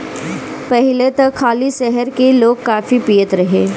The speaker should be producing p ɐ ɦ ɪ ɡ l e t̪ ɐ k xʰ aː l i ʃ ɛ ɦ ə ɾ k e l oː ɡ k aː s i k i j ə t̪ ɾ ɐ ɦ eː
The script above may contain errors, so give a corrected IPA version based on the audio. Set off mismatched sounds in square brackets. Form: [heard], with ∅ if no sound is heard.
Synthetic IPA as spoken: p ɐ ɦ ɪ [∅] l e t̪ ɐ k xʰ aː l i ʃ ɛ ɦ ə ɾ k e l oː ɡ k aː [f] i [p] i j ə t̪ ɾ ɐ ɦ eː